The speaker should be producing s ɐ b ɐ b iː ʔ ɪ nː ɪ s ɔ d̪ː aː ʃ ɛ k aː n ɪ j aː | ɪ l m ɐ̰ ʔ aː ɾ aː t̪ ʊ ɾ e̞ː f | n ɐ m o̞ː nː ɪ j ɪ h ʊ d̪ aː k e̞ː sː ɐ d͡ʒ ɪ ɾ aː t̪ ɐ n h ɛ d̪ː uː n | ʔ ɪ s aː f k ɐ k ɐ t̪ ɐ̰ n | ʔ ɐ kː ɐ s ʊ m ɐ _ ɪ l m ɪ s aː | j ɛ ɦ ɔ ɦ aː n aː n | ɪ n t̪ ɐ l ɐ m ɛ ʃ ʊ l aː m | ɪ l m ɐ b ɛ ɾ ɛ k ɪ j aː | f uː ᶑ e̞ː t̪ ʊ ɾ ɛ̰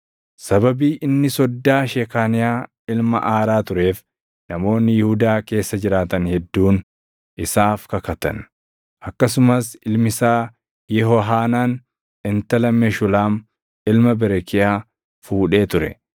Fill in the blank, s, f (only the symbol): s